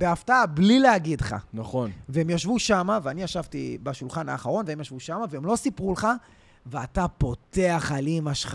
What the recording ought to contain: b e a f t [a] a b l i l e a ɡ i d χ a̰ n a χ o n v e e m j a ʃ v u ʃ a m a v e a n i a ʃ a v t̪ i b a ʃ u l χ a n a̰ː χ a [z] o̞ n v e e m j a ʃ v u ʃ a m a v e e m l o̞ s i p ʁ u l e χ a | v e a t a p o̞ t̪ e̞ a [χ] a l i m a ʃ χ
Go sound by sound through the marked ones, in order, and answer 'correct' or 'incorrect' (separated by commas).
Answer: correct, incorrect, correct